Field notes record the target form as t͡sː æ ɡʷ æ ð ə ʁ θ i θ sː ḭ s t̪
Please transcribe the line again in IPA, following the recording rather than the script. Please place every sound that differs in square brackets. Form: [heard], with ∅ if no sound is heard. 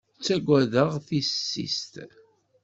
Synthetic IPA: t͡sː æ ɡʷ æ ð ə ʁ θ i [s] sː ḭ s t̪